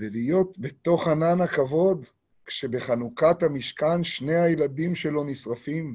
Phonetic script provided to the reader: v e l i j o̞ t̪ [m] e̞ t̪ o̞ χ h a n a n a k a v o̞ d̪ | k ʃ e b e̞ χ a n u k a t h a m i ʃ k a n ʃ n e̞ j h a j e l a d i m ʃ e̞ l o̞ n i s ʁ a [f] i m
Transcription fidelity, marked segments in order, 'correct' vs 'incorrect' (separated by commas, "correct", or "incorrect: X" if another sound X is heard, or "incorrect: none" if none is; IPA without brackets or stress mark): incorrect: b, correct